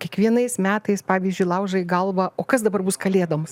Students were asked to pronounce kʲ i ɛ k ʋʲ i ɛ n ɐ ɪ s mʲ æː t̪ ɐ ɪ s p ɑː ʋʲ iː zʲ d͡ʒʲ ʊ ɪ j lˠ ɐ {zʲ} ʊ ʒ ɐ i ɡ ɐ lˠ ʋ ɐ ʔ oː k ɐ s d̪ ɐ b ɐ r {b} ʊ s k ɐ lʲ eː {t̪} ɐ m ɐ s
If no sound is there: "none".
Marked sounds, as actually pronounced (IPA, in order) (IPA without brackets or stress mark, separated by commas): none, b, d̪